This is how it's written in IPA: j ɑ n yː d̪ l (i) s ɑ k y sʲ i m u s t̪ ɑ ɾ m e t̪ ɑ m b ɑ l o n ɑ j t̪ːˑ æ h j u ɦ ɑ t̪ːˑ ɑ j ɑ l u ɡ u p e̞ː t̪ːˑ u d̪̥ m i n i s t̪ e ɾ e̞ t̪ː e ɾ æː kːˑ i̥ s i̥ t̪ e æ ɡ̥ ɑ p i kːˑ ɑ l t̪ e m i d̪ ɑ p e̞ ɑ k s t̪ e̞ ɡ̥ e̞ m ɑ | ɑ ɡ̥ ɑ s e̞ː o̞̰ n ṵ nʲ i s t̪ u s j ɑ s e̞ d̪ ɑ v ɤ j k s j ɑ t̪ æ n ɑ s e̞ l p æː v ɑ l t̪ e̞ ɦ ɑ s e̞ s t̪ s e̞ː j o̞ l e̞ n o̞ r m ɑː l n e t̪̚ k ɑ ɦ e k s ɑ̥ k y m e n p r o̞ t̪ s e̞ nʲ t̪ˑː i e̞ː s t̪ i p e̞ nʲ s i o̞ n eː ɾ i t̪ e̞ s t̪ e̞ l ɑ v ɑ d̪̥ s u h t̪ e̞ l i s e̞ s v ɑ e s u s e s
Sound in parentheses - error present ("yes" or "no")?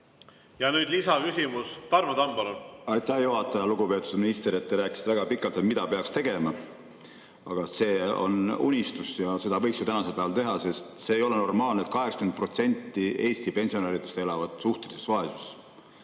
no